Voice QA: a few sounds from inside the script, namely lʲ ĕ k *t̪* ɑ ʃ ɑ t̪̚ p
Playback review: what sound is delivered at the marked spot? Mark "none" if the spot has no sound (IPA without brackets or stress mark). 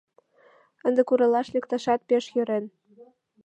t̪